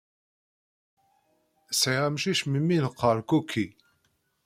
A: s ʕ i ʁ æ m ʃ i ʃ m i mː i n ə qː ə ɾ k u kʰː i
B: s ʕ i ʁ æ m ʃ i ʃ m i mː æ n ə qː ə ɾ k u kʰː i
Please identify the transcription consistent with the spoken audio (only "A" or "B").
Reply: A